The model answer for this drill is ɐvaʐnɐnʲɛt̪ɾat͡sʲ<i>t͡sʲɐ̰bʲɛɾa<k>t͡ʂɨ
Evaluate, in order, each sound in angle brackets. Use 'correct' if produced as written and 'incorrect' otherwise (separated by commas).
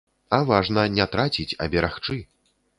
correct, incorrect